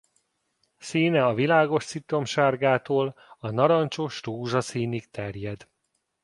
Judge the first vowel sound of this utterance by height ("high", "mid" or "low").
high